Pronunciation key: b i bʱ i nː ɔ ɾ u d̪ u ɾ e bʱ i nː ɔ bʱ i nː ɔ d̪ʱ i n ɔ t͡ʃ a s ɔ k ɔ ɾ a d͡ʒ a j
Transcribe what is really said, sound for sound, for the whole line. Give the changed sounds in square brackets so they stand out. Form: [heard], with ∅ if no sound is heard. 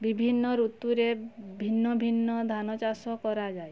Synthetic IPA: b i bʱ i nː ɔ ɾ u [t̪] u ɾ e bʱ i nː ɔ bʱ i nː ɔ d̪ʱ [a] n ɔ t͡ʃ a s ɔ k ɔ ɾ a d͡ʒ a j